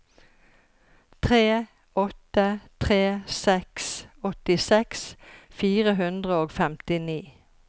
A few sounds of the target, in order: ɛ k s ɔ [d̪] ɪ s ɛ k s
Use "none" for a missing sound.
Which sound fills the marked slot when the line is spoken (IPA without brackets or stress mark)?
t̪